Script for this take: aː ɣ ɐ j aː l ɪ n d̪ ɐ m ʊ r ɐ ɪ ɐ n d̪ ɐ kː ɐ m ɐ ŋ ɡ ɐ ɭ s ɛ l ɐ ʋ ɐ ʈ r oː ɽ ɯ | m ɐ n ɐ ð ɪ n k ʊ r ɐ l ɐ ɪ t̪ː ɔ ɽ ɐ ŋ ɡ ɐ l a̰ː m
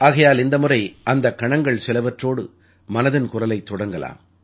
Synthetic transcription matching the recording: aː ɣ ɐ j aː l ɪ n d̪ ɐ m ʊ r ɐ ɪ ɐ n d̪ ɐ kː ɐ ɳ ɐ ŋ ɡ ɐ ɭ s ɛ l ɐ ʋ ɐ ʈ r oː ɽ ɯ | m ɐ n ɐ ð ɪ n k ʊ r ɐ l ɐ ɪ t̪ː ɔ ɽ ɐ ŋ ɡ ɐ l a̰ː m